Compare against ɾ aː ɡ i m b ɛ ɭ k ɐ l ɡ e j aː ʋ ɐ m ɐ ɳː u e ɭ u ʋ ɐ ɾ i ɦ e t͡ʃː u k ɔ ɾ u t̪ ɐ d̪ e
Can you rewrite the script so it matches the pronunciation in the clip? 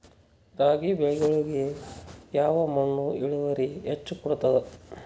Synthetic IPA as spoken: ɾ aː ɡ i b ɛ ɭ ɡ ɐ ɭ ɡ e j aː ʋ ɐ m ɐ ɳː u i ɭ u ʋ ɐ ɾ i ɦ e t͡ʃː u k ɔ ɽ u t̪ ɐ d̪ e

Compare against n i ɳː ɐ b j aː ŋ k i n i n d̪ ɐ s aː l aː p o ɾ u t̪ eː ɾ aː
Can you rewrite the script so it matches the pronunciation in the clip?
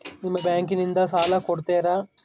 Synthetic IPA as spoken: n i mː ɐ b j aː ŋ k i n i n d̪ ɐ s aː l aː k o ɽ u t̪ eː ɾ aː

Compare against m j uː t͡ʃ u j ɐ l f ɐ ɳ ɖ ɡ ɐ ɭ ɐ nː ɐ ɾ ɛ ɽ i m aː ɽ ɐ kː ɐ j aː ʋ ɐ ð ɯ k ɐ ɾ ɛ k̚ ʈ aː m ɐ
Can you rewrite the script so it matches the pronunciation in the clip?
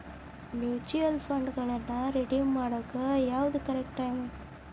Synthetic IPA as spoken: m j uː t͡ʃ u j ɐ l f ɐ ɳ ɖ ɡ ɐ ɭ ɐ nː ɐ ɾ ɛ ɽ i m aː ɽ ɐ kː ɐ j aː ʋ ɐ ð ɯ k ɐ ɾ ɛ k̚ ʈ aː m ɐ

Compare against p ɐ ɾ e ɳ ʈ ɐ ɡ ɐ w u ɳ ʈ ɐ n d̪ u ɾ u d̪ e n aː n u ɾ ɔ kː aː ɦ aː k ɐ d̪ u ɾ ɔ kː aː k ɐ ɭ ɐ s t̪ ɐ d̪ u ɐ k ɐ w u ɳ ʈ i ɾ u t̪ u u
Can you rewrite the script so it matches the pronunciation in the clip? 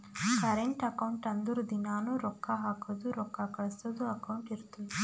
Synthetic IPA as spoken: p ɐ ɾ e ɳ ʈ ɐ k ɐ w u ɳ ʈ ɐ n d̪ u ɾ u d̪ i n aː n u ɾ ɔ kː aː ɦ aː k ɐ d̪ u ɾ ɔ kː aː k ɐ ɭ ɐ s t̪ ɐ d̪ u ɐ k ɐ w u ɳ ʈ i ɾ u t̪ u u

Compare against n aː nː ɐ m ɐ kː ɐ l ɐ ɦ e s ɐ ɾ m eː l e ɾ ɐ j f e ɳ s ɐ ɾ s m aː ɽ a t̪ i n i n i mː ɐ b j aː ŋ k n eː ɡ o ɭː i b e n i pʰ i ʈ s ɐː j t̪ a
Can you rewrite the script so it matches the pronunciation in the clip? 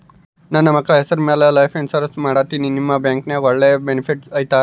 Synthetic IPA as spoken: n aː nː ɐ m ɐ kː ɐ ɭ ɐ ɦ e s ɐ ɾ m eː l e l ɐ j f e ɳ s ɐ ɾ s m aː ɽ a t̪ i n i n i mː ɐ b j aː ŋ k n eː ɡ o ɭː e b e n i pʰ i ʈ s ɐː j t̪ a

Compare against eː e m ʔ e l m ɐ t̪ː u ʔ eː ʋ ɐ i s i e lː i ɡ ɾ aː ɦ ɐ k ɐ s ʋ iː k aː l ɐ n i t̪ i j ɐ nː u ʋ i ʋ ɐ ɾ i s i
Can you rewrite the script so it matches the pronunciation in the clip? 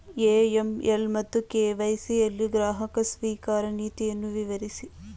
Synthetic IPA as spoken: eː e m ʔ e l m ɐ t̪ː u k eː ʋ ɐ j s i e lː i ɡ ɾ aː ɦ ɐ k ɐ s ʋ iː k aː ɾ ɐ n iː t̪ i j ɐ nː u ʋ i ʋ ɐ ɾ i s i

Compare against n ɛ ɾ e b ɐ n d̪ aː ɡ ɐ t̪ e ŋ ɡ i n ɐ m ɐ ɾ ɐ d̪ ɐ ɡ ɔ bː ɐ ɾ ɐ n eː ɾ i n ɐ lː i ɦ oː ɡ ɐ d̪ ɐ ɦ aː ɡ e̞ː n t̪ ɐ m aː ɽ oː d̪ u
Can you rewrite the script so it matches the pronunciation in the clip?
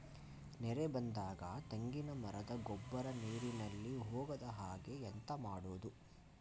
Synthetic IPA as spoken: n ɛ ɾ e b ɐ n d̪ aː ɡ ɐ t̪ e ŋ ɡ i n ɐ m ɐ ɾ ɐ d̪ ɐ ɡ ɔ bː ɐ ɾ ɐ n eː ɾ i n ɐ lː i ɦ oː ɡ ɐ d̪ ɐ ɦ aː ɡ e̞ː n t̪ ɐ m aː ɽ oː d̪ u

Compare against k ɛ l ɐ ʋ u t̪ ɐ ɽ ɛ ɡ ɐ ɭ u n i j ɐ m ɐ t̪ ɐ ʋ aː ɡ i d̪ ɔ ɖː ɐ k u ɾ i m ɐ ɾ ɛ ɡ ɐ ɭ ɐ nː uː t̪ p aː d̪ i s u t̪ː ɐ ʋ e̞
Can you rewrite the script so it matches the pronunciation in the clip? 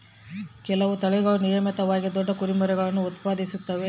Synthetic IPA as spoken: k ɛ l ɐ ʋ u t̪ ɐ ɭ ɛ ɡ ɐ ɭ u n i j ɐ m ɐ t̪ ɐ ʋ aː ɡ i d̪ ɔ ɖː ɐ k u ɾ i m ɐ ɾ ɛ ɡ ɐ ɭ ɐ nː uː t̪ p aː d̪ i s u t̪ː ɐ ʋ e̞

